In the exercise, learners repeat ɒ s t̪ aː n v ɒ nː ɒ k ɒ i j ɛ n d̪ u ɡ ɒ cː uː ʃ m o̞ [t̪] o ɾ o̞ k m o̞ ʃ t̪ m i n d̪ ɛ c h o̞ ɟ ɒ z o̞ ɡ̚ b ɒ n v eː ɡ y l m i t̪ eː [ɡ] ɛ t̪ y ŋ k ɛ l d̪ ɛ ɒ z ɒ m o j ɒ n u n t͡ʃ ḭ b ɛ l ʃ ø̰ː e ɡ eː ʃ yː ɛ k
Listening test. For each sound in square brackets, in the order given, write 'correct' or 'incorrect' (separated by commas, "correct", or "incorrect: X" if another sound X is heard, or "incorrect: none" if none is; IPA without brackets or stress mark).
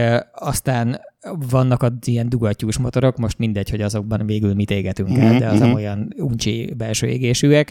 correct, correct